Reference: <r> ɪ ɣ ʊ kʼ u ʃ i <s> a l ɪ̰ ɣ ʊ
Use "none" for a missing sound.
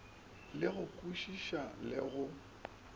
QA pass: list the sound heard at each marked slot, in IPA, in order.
l, ʃ

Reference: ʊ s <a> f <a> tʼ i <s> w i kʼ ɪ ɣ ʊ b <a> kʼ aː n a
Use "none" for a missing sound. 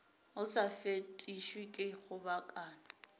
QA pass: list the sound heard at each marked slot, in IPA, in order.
a, e, ʃ, a

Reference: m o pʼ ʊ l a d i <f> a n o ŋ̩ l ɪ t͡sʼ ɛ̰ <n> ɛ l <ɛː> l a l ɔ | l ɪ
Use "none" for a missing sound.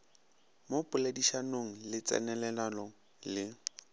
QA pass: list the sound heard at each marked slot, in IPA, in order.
ʃ, n, ɛ

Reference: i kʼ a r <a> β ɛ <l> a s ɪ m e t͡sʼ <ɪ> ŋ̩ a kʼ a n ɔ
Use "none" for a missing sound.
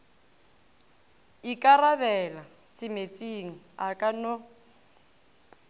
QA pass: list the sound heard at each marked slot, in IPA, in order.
a, l, i

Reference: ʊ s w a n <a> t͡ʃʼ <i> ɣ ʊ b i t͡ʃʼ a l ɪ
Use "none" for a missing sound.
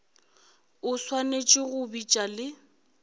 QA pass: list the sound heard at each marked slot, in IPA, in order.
e, ɪ

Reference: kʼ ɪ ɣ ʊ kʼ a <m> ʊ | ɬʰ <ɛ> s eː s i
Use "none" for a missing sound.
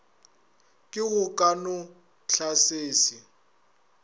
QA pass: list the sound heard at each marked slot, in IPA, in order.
n, a

